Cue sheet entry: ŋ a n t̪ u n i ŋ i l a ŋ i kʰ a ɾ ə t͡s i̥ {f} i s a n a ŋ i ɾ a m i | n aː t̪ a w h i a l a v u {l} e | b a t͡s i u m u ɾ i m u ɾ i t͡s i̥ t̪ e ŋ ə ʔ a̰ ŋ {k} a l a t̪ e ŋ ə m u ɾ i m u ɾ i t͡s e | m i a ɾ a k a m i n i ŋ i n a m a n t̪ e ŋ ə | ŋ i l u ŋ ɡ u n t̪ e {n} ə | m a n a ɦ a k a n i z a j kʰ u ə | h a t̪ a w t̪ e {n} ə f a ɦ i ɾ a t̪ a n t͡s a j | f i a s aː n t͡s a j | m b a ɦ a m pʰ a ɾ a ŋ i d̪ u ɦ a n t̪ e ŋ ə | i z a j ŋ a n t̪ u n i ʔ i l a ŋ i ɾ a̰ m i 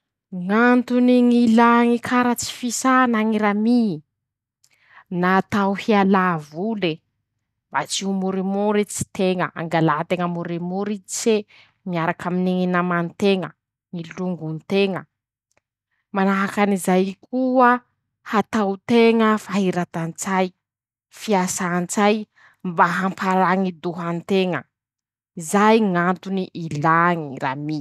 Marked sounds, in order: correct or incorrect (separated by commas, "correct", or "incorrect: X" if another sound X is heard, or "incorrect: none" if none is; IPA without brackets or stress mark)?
correct, correct, incorrect: ɡ, incorrect: ŋ, incorrect: ŋ